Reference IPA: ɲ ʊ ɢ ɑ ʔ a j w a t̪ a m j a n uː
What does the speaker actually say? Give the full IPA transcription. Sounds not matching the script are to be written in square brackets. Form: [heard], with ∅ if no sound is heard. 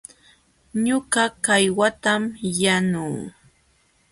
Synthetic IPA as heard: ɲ ʊ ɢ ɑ [k] a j w a t̪ a m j a n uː